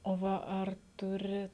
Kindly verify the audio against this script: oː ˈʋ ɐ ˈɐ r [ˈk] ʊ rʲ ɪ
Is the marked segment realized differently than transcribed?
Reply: yes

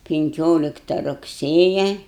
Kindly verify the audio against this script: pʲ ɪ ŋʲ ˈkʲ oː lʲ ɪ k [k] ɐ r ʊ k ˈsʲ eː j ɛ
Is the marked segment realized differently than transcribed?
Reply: yes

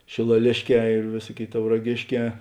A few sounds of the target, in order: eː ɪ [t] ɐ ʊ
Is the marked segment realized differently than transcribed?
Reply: no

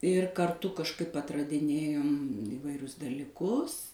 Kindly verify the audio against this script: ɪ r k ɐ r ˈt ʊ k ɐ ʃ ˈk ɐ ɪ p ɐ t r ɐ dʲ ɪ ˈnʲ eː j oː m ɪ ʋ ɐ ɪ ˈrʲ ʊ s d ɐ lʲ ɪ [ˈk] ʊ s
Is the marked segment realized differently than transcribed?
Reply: no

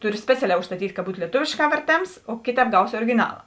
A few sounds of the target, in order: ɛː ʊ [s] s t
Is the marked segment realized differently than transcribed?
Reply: yes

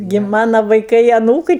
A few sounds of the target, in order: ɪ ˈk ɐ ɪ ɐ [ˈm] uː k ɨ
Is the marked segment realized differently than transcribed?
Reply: yes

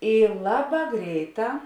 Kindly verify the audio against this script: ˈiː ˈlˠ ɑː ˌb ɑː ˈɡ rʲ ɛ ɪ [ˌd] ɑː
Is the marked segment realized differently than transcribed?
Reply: yes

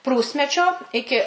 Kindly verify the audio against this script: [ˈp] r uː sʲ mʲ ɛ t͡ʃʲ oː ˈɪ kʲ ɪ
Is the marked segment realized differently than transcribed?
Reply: no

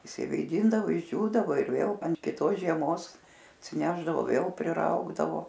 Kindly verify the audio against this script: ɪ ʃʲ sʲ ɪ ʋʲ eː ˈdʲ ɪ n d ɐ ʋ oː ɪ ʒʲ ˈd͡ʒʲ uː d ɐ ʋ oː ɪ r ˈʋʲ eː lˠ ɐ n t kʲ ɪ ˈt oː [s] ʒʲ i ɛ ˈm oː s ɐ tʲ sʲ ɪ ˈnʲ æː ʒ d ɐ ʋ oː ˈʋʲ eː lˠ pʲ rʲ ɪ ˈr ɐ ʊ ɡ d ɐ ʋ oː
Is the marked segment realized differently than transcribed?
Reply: no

